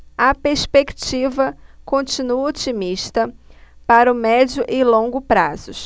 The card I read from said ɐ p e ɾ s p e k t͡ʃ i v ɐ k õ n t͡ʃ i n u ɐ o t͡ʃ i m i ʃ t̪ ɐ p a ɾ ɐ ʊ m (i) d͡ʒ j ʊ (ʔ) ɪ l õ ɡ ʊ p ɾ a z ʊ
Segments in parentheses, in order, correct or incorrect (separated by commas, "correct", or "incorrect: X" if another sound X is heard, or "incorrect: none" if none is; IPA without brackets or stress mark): incorrect: ɛ, correct